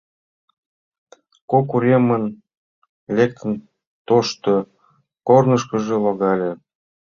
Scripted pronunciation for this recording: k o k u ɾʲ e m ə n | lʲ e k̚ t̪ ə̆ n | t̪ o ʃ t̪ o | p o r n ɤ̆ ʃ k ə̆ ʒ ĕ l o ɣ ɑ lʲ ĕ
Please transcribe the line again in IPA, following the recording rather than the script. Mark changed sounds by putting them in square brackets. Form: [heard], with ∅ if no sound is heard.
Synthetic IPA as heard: k o k u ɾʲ e m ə n | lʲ e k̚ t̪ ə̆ n | t̪ o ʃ t̪ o | [k] o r n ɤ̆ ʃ k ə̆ ʒ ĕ l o ɣ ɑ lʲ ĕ

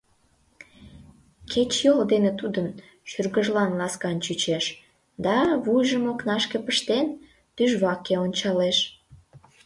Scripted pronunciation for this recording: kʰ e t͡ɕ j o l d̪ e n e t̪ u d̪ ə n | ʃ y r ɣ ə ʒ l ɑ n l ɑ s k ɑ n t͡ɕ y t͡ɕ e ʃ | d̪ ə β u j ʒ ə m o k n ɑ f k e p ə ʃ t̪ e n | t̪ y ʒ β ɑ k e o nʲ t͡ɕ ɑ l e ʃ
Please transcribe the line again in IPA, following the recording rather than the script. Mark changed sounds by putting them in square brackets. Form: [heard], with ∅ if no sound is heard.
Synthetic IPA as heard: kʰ e t͡ɕ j o l d̪ e n e t̪ u d̪ ə n | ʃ y r ɣ ə ʒ l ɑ n l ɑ s k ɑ n t͡ɕ y t͡ɕ e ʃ | d̪ [ɑ] β u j ʒ ə m o k n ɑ [ʃ] k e p ə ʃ t̪ e n | t̪ y ʒ β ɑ k e o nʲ t͡ɕ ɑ l e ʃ

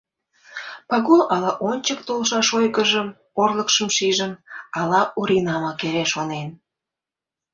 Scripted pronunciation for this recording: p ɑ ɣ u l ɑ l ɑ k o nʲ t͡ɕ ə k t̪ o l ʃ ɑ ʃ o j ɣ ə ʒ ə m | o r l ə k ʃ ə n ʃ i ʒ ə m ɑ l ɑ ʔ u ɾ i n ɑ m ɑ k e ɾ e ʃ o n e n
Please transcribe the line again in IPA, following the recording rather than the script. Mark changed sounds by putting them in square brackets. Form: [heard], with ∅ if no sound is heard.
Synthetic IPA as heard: p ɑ ɣ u l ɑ l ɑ [ʔ] o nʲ t͡ɕ ə k t̪ o l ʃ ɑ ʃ o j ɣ ə ʒ ə m | o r l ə k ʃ ə [m] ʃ i ʒ ə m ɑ l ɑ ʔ u ɾ i n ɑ m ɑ k e ɾ e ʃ o n e n

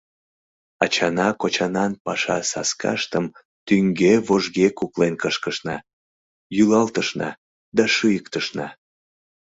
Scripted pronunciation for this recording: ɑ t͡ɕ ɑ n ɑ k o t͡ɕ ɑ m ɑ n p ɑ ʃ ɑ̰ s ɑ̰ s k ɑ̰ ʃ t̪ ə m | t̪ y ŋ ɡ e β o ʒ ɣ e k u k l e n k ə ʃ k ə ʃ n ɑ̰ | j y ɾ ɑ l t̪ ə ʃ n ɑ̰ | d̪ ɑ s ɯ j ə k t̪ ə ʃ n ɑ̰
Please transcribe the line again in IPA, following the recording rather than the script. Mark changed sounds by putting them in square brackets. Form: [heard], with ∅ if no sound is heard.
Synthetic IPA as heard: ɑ t͡ɕ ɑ n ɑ k o t͡ɕ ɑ [n] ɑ n p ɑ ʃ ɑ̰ s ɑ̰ s k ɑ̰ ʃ t̪ ə m | t̪ y ŋ ɡ e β o ʒ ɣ e k u k l e n k ə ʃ k ə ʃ n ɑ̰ | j y [l] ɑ l t̪ ə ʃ n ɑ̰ | d̪ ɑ [ʃ] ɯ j ə k t̪ ə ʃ n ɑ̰

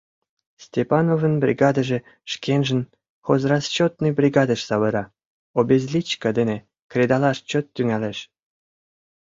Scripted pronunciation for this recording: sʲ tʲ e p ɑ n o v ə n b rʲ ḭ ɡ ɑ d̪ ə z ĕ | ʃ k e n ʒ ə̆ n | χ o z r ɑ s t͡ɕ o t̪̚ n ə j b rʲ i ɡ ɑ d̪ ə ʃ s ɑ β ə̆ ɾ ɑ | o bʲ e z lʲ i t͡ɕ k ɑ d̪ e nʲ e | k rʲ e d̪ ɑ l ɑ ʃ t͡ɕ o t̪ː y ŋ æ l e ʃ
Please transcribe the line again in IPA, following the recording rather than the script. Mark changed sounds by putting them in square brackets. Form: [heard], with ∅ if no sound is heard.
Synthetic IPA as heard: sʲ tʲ e p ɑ n o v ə n b rʲ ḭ ɡ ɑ d̪ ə [ʒ] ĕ | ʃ k e n ʒ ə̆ n | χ o z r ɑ s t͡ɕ o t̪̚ n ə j b rʲ i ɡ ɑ d̪ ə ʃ s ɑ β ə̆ ɾ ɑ | o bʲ e z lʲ i t͡ɕ k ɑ d̪ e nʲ e | k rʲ e d̪ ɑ l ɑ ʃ t͡ɕ o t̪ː y ŋ æ l e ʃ

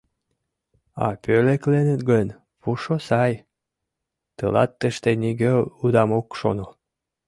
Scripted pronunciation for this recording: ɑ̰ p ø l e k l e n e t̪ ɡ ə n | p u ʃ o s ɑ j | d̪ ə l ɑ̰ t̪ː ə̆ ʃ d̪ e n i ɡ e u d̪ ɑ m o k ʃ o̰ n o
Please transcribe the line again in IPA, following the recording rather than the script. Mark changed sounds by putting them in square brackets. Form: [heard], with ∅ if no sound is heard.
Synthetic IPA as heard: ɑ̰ p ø l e k l e n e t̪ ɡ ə n | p u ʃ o s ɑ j | [t̪] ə l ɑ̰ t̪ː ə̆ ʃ [t̪] e n i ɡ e u d̪ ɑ m o k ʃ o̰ n o

